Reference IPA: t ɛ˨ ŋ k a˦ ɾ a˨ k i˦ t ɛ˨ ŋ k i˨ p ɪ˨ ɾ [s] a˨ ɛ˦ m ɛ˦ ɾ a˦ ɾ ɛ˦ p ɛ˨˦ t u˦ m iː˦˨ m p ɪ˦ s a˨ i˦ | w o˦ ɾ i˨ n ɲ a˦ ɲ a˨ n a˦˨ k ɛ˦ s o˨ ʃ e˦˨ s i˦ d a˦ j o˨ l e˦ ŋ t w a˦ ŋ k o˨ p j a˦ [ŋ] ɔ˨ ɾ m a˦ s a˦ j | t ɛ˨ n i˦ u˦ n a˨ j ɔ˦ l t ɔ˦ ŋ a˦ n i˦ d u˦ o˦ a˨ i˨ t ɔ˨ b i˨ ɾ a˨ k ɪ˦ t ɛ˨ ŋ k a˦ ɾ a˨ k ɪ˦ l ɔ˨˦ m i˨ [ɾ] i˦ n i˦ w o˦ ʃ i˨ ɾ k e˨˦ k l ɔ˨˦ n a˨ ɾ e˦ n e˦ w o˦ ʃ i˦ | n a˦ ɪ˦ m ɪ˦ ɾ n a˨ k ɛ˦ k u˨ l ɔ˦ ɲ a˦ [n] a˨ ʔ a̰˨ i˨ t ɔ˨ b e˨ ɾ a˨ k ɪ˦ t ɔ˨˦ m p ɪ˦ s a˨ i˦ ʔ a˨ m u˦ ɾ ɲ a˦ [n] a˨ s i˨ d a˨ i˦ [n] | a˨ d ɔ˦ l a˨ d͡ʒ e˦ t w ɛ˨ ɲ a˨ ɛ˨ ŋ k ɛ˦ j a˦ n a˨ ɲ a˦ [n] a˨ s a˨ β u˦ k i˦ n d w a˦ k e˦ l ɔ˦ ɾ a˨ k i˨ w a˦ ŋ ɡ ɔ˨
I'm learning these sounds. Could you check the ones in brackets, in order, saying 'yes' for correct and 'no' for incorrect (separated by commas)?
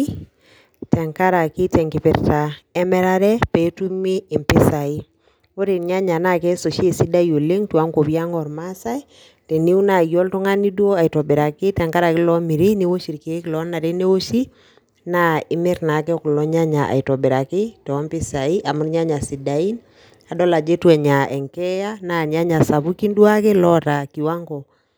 no, yes, yes, no, no, yes, no